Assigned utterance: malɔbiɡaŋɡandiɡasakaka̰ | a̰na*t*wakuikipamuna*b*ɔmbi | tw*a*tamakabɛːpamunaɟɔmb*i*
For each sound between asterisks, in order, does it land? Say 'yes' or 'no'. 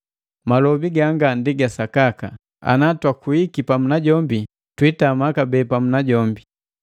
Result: yes, no, no, yes

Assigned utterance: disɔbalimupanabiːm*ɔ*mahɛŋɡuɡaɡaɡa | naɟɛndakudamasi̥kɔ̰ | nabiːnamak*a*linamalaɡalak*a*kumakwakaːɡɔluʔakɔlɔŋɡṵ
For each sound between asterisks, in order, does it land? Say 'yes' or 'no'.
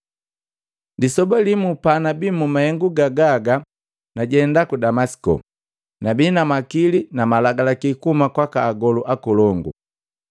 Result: no, no, no

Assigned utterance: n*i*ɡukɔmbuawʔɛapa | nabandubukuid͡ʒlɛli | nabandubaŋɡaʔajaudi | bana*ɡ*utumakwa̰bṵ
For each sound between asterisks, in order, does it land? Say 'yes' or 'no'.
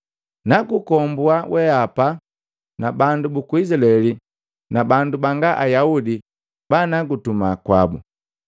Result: no, yes

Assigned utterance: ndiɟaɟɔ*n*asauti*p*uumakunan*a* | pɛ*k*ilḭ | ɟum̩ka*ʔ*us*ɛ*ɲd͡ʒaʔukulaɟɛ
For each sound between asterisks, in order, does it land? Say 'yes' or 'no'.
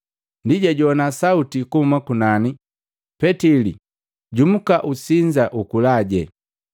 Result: yes, no, no, no, yes, no

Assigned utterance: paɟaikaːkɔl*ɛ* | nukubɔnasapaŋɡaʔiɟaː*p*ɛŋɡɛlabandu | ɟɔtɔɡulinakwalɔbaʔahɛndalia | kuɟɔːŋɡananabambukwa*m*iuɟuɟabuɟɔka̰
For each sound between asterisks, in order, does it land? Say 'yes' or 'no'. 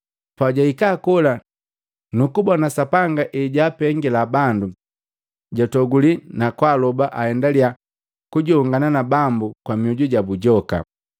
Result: no, yes, yes

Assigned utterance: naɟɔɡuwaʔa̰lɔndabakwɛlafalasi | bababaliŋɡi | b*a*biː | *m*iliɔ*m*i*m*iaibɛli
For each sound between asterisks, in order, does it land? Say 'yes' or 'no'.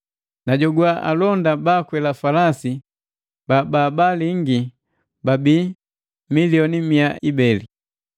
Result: yes, yes, no, yes

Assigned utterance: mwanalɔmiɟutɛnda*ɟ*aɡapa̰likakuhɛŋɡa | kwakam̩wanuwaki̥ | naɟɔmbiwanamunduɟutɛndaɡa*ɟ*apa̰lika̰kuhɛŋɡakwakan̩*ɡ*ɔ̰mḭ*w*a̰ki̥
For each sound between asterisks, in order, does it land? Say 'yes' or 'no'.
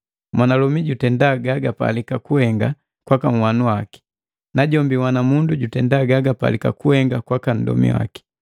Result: no, no, no, yes

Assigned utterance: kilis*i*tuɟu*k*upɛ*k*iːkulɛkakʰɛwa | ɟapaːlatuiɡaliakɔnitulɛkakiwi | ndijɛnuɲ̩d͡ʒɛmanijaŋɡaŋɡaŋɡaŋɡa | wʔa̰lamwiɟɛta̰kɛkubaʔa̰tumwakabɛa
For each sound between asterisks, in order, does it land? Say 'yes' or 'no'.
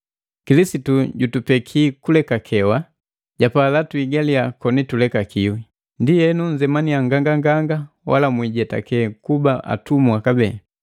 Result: yes, no, no

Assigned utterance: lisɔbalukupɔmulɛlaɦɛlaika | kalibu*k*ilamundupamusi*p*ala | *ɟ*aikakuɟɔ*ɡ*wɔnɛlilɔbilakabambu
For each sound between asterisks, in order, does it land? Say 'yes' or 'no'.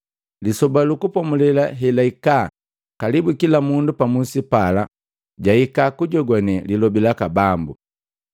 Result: yes, yes, yes, yes

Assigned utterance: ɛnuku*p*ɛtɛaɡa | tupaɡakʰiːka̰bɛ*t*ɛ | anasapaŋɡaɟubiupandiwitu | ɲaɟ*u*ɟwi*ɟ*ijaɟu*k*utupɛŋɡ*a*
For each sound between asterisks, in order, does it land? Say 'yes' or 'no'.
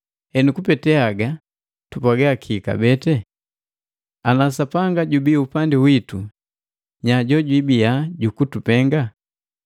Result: yes, yes, no, no, yes, yes

